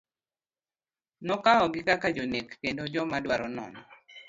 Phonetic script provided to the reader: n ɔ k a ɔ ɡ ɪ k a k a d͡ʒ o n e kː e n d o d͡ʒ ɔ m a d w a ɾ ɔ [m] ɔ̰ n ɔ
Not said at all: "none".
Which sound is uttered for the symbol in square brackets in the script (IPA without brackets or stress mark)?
n